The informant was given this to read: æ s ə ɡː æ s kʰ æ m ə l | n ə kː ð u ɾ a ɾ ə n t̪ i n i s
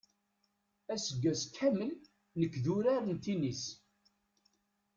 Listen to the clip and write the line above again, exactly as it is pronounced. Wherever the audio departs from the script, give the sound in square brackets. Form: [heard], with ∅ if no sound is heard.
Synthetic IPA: æ s ə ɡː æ s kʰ æ m ə l | n ə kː ð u ɾ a ɾ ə n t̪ i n i s

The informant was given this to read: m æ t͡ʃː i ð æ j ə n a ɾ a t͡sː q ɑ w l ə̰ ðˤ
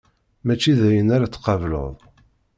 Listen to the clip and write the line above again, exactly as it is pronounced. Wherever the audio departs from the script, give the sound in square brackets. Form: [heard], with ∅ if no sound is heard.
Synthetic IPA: m æ t͡ʃː i ð æ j ə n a ɾ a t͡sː q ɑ [v] l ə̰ ðˤ

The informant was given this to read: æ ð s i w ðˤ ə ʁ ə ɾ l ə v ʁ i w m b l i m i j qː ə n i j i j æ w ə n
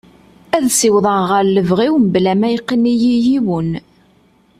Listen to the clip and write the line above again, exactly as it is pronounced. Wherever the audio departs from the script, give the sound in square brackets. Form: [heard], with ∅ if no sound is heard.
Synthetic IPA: æ ð s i w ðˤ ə ʁ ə ɾ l ə v ʁ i w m b l [æ] m [æ] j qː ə n i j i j [i] w ə n

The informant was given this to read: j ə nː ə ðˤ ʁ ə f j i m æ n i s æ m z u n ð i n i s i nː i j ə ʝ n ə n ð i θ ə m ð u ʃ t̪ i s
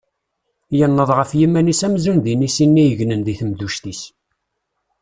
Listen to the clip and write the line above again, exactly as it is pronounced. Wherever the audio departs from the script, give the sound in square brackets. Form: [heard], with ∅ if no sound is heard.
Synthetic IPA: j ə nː ə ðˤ ʁ ə f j i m æ n i s æ m z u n ð i n i s i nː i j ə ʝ n ə n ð i θ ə m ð u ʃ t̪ i s

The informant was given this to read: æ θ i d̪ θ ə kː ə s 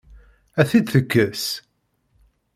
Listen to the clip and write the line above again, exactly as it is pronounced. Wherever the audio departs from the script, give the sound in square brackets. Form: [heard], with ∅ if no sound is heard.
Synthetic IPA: æ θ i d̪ θ ə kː ə s

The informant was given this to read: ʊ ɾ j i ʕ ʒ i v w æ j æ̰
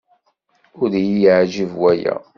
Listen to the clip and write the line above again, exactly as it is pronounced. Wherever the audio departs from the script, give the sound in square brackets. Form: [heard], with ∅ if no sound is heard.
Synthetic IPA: ʊ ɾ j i ʕ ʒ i v w æ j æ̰

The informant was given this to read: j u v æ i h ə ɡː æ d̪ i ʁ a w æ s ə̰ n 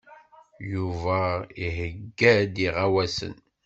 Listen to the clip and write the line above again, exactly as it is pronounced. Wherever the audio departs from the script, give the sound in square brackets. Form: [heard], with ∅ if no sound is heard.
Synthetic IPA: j u v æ i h ə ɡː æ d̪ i ʁ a w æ s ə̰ n

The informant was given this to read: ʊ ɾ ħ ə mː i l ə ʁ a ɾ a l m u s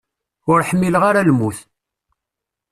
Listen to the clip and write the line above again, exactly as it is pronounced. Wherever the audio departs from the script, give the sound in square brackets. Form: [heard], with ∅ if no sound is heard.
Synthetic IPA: ʊ ɾ ħ ə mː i l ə ʁ a ɾ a l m u [θ]

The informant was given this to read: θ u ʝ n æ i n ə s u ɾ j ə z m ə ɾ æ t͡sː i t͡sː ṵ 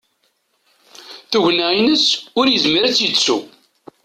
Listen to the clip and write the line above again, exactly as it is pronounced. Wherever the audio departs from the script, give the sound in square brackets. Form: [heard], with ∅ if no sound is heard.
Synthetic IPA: θ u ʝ n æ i n ə s [ʊ] ɾ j ə z m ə ɾ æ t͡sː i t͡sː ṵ

